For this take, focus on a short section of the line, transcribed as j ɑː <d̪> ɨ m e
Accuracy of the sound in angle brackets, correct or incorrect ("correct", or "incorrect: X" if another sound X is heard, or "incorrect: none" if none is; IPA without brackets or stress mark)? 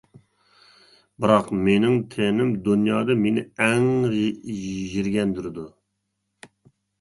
correct